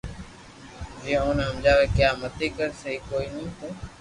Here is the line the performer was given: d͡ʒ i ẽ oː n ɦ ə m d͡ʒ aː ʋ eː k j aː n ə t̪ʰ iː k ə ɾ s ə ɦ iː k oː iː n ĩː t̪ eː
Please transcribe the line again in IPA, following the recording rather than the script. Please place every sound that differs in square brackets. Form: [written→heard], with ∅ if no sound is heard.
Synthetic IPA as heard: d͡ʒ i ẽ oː n ɦ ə m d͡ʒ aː ʋ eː k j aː [n→m] ə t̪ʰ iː k ə ɾ s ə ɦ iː k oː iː n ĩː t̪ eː